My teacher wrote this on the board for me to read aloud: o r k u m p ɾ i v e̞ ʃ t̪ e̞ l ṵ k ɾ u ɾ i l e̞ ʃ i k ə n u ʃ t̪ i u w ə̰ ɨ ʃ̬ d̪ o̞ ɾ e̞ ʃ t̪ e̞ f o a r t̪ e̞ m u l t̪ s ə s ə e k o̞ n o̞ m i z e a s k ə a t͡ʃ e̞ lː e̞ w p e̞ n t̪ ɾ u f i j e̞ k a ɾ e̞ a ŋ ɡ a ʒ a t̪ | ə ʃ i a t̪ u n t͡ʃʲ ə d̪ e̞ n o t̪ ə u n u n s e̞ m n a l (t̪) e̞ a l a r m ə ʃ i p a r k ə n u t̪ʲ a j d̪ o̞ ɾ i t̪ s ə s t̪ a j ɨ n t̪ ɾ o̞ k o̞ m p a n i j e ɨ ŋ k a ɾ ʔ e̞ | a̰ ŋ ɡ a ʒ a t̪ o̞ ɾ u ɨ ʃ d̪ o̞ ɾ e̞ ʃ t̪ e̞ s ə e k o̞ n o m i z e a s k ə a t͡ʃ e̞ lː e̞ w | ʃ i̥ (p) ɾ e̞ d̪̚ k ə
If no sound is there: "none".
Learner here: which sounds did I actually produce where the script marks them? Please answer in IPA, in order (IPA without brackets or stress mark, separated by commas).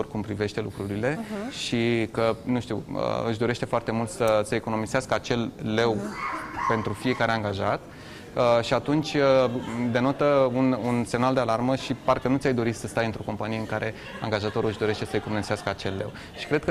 d̪, k